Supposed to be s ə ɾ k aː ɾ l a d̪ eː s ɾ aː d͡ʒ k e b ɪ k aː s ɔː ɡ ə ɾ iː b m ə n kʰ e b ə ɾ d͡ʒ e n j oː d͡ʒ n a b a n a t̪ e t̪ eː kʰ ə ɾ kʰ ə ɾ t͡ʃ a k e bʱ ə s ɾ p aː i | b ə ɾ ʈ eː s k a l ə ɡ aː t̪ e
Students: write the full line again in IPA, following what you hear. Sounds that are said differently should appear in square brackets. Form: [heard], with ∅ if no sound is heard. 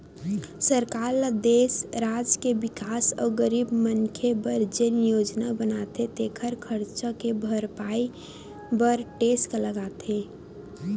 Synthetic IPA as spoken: s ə ɾ k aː ɾ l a d̪ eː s ɾ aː d͡ʒ k e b ɪ k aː s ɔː ɡ ə ɾ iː b m ə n kʰ e b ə ɾ d͡ʒ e n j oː d͡ʒ n a b [ə] n a t̪ e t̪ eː kʰ ə ɾ kʰ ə ɾ t͡ʃ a k e bʱ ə [∅] ɾ p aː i | b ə ɾ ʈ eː s k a l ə ɡ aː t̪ e